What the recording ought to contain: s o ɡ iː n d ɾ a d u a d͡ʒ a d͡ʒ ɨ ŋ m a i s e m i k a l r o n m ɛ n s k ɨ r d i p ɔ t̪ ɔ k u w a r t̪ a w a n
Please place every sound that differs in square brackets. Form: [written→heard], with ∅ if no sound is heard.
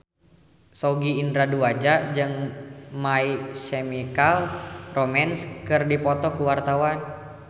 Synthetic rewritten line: s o ɡ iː n d ɾ a d u a d͡ʒ a d͡ʒ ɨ ŋ m a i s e m i k a l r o [n→∅] m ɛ n s k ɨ r d i p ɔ t̪ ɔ k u w a r t̪ a w a n